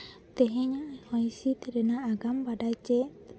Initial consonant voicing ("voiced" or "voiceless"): voiceless